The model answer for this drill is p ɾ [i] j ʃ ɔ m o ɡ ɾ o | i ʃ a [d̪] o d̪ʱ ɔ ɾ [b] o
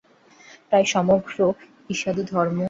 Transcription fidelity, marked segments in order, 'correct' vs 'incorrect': incorrect: a, correct, incorrect: m

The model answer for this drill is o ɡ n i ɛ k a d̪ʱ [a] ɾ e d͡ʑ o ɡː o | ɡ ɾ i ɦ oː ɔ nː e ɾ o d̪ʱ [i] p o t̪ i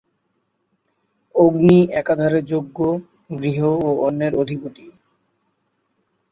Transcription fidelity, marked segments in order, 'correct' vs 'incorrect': correct, correct

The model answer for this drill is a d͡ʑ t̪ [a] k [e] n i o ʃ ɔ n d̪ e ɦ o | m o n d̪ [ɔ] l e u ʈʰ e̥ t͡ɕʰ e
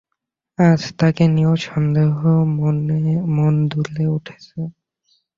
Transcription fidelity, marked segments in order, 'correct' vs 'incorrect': correct, correct, incorrect: u

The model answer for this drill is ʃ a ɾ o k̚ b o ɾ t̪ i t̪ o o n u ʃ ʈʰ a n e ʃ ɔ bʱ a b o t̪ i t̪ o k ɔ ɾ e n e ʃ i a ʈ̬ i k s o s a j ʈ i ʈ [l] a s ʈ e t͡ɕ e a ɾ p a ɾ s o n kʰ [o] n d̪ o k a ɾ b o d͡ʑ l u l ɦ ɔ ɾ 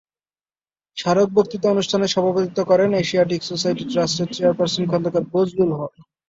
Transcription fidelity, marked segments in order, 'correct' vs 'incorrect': incorrect: ɾ, incorrect: ɔ

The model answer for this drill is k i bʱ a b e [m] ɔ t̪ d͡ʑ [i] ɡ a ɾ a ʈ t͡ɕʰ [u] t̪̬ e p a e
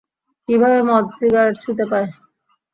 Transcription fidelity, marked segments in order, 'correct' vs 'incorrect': correct, correct, correct

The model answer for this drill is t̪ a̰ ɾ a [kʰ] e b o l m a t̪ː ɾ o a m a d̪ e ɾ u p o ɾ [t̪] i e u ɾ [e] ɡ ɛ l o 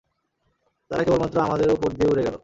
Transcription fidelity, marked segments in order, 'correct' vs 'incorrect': incorrect: k, incorrect: d̪, correct

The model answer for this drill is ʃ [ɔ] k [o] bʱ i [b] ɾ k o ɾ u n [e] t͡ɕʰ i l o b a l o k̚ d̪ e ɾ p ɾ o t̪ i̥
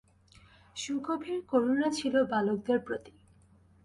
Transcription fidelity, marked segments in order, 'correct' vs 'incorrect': incorrect: u, correct, incorrect: none, incorrect: a

